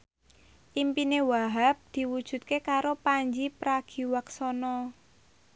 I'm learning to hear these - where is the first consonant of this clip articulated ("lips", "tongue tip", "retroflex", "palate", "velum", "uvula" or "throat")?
throat